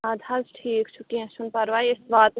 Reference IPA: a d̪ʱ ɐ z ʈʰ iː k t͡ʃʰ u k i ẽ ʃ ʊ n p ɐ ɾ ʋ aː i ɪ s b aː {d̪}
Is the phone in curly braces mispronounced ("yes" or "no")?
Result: yes